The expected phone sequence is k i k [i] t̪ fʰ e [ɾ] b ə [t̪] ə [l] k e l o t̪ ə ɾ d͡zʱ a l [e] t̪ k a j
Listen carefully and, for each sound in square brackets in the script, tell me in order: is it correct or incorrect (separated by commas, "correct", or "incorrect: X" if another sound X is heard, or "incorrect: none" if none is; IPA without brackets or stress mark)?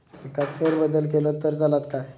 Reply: incorrect: a, correct, incorrect: d̪, correct, incorrect: a